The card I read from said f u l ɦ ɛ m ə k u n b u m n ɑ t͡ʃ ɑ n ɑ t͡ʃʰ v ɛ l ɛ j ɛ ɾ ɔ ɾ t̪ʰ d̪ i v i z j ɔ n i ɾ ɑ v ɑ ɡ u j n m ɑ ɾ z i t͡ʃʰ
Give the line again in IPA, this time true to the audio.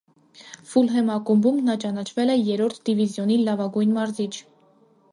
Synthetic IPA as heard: f u l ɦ ɛ m ɑ k u m b u m n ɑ t͡ʃ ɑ n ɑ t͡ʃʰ v ɛ l ɛ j ɛ ɾ ɔ ɾ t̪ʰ d̪ i v i z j ɔ n i l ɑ v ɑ ɡ u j n m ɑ ɾ z i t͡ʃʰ